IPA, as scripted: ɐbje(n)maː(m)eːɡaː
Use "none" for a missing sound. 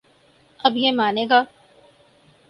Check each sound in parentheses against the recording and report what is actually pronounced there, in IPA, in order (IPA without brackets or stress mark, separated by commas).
none, n